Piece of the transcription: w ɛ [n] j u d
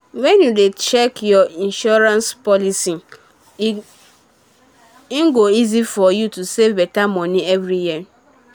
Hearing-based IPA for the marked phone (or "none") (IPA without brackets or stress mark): n